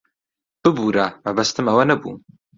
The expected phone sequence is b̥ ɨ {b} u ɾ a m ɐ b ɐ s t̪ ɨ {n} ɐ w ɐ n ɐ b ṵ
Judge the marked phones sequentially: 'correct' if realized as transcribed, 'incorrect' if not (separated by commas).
correct, incorrect